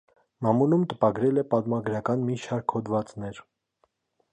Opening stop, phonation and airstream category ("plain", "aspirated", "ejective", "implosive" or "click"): plain